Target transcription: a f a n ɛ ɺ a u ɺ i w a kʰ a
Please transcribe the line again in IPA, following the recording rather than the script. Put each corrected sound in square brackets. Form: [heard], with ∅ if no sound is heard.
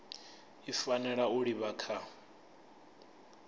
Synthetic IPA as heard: [i] f a n ɛ ɺ a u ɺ i [β] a kʰ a